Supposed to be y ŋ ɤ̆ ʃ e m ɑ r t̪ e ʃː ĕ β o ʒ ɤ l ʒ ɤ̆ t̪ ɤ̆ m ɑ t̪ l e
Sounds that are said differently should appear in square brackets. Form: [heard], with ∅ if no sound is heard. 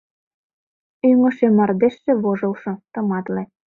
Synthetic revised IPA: y ŋ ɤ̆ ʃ e m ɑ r [d̪] e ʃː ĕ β o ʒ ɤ l [ʃ] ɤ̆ t̪ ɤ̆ m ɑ t̪ l e